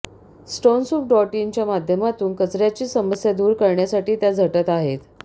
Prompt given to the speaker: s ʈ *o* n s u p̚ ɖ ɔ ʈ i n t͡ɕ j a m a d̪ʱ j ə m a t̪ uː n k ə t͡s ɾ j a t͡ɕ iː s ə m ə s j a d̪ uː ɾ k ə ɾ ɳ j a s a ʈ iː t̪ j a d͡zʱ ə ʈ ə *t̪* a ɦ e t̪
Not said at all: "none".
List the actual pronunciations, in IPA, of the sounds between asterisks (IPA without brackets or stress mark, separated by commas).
o, t̪